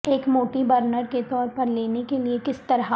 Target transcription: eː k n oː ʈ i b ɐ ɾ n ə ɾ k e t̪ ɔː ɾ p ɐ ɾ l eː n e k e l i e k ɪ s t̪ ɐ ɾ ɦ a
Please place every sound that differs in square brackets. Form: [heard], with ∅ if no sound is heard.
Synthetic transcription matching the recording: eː k [m] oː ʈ i b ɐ ɾ n ə ɾ k e t̪ ɔː ɾ p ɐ ɾ l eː n e k e l i e k ɪ s t̪ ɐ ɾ ɦ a